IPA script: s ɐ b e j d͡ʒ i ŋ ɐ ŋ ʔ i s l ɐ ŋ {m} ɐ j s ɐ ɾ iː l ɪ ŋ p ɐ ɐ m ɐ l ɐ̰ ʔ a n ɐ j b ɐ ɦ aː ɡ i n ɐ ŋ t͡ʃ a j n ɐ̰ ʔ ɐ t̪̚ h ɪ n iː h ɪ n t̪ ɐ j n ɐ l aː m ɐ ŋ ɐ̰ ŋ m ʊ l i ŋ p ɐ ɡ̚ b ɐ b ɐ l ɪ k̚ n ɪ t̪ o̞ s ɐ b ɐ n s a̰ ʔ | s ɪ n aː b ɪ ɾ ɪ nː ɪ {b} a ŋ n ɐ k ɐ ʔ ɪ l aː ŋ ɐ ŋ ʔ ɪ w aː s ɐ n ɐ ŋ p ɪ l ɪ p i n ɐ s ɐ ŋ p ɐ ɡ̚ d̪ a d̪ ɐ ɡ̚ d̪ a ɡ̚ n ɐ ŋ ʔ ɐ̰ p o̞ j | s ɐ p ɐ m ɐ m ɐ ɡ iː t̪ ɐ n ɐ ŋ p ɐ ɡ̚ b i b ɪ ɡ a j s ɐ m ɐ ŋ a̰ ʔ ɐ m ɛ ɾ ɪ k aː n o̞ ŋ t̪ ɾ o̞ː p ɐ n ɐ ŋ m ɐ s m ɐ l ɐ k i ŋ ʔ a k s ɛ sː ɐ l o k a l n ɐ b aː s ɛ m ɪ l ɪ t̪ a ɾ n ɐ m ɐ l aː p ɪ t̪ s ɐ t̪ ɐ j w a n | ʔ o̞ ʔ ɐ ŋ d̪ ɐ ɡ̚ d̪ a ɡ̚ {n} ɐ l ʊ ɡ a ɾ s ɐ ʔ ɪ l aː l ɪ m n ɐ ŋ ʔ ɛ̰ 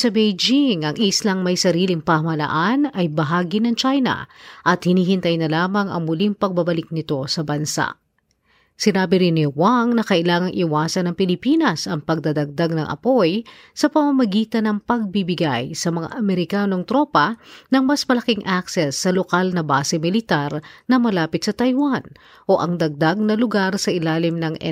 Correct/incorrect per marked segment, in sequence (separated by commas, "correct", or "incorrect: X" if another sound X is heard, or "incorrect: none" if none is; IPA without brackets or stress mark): correct, incorrect: w, correct